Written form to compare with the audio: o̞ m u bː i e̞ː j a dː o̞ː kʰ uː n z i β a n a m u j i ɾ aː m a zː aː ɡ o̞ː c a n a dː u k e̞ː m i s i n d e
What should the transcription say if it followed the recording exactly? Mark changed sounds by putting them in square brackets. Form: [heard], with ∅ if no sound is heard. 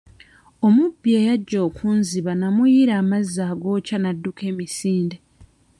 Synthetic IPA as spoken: o̞ m u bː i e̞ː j a [ɟː] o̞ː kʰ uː n z i β a n a m u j i ɾ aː m a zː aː ɡ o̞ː c a n a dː u k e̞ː m i s [iː] n d e